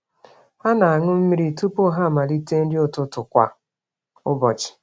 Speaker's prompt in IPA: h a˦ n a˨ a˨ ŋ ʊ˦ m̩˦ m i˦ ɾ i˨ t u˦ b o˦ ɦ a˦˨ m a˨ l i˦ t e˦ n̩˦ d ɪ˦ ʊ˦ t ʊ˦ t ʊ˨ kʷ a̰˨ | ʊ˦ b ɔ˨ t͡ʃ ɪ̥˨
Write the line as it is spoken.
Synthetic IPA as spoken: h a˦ n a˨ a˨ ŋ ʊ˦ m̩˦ m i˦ ɾ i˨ t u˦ p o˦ ɦ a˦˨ m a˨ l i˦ t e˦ n̩˦ d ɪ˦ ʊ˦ t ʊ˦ t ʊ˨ kʷ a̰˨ | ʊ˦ b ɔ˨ t͡ʃ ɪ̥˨